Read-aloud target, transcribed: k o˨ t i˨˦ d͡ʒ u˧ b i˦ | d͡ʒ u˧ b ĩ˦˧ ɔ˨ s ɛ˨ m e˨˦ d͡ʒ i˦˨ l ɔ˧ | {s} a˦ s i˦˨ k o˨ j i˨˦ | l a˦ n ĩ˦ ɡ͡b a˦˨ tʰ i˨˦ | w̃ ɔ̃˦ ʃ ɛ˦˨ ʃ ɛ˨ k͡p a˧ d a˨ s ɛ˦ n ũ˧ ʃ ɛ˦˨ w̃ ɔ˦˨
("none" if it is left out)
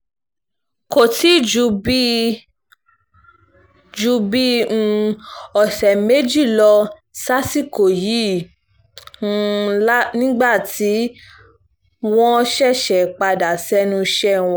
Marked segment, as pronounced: s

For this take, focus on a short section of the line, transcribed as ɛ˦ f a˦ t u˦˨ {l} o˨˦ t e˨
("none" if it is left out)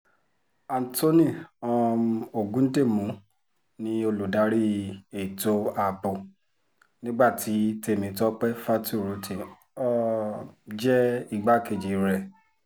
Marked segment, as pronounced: ɾ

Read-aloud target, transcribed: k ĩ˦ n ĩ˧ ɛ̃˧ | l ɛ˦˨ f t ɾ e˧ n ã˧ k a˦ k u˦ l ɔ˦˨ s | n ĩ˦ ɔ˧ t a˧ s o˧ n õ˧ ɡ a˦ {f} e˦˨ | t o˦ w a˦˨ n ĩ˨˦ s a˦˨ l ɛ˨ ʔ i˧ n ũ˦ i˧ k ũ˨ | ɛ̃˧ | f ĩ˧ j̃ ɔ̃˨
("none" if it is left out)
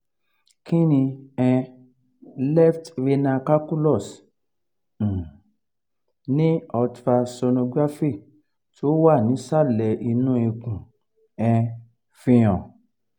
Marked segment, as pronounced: f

